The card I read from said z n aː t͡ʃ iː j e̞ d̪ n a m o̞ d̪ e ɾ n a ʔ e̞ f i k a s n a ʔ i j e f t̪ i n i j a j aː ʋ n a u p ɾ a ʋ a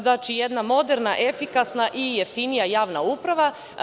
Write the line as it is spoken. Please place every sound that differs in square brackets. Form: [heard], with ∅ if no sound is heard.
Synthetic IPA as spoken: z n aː t͡ʃ [i] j e̞ d̪ n a m o̞ d̪ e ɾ n a ʔ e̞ f i k a s n a ʔ i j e f t̪ i n i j a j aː ʋ n a u p ɾ a ʋ a